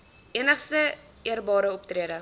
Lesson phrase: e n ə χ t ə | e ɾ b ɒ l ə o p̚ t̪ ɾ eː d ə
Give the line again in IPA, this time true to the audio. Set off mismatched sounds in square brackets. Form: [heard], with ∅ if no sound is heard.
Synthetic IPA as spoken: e n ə χ [s] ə | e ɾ b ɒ [ɾ] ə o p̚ t̪ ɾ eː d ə